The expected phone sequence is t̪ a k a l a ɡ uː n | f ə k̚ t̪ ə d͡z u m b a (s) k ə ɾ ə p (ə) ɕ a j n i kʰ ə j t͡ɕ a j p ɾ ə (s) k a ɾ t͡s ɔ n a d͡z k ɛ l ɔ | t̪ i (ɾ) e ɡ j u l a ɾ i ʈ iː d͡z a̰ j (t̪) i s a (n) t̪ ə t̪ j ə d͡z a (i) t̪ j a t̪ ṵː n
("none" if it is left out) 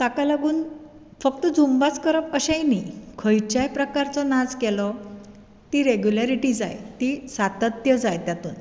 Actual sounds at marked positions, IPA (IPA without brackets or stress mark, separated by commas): t͡s, ə, none, ɾ, t̪, none, j